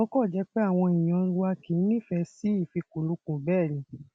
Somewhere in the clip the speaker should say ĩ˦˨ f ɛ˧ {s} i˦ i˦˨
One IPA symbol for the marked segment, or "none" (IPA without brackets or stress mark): s